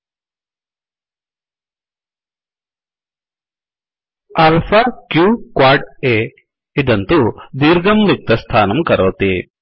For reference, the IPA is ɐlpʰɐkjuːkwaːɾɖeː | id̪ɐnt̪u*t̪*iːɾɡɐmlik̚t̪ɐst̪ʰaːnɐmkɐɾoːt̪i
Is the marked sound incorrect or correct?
incorrect